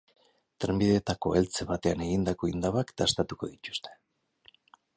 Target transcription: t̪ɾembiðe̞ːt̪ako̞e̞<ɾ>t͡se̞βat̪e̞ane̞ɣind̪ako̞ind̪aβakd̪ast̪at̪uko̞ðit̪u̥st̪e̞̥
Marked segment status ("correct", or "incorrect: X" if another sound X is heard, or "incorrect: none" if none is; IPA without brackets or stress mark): incorrect: l